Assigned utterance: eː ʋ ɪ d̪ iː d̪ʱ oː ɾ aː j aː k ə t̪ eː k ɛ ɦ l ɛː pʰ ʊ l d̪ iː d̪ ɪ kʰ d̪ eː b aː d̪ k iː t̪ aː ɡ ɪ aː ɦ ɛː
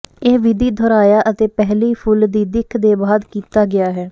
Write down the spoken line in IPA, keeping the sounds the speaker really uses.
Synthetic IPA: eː ʋ ɪ d̪ iː d̪ʱ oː ɾ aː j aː ʔ ə t̪ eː p ɛ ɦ l iː pʰ ʊ l d̪ iː d̪ ɪ kʰ d̪ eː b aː d̪ k iː t̪ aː ɡ ɪ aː ɦ ɛː